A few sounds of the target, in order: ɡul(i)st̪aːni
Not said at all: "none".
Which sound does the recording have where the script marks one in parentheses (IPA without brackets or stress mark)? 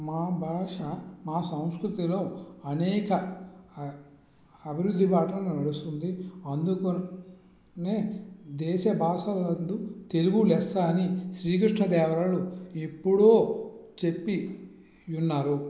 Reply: ɛ